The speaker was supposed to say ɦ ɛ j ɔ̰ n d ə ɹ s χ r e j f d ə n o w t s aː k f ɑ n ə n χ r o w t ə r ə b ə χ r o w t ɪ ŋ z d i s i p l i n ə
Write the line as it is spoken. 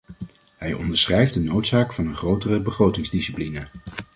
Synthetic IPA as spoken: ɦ ɛ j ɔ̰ n d ə ɹ s χ r ɛ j f d ə n o w t s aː k f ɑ n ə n χ r o w t ə r ə b ə χ r o w t ɪ ŋ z d i s i p l i n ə